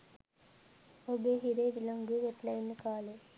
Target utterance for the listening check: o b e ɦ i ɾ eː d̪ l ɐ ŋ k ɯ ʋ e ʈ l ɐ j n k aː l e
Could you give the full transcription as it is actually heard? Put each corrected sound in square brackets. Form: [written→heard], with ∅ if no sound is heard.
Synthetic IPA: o b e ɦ i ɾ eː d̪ l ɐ ŋ [k→ɡ] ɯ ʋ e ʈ l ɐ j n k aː l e